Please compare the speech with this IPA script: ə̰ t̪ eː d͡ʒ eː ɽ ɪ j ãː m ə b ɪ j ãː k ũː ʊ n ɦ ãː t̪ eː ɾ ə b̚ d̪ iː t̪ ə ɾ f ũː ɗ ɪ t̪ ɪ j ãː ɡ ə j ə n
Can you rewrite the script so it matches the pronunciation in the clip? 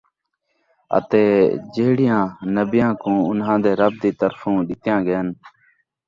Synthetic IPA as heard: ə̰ t̪ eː d͡ʒ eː ɽ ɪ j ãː n ə b ɪ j ãː k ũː ʊ n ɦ ãː d̪ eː ɾ ə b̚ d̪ iː t̪ ə ɾ f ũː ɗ ɪ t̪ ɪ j ãː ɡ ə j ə n